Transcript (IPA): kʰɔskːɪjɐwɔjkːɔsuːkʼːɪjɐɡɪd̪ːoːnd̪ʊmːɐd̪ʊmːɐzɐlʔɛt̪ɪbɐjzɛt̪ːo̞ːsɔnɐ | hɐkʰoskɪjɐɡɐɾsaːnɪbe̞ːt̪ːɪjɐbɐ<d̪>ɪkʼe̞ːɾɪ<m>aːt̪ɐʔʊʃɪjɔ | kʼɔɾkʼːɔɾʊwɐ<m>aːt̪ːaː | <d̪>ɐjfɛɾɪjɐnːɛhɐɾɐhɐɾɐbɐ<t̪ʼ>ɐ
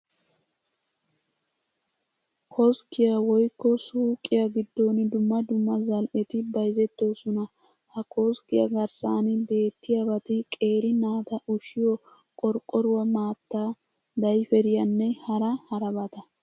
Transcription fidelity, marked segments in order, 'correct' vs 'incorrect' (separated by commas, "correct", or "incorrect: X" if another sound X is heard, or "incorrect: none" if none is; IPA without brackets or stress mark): incorrect: t̪, incorrect: n, correct, correct, incorrect: t̪